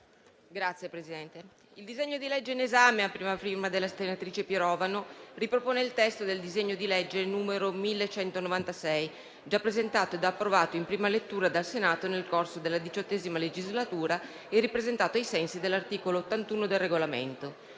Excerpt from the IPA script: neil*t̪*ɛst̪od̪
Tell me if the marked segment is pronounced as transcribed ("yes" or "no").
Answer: yes